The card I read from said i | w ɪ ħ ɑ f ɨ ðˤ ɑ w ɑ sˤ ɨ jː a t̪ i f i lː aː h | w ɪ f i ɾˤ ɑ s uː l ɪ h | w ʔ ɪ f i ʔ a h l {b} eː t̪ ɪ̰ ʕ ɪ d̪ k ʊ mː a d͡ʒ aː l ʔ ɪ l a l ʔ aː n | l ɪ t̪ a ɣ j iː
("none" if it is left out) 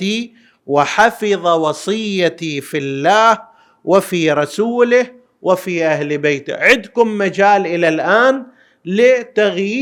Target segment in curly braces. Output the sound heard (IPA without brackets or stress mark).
b